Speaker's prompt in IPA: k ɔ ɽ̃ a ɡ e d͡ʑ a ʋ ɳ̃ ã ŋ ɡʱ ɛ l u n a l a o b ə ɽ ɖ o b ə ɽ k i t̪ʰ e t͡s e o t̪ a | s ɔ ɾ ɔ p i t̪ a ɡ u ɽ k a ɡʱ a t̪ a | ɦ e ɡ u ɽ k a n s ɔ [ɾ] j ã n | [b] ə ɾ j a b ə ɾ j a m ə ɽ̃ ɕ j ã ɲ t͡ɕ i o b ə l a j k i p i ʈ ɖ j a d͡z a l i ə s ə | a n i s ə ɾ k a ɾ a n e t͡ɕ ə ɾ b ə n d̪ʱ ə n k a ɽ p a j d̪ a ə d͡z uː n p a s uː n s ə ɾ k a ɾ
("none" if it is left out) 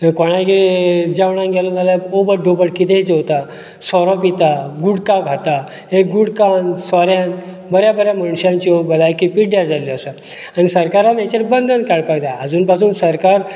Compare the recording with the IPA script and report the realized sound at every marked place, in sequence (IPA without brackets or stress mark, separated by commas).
ɾ, b